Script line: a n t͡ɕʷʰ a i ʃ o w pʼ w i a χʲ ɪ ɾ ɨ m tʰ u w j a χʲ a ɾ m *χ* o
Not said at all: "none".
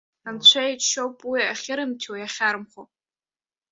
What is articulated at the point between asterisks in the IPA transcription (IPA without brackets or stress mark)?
χ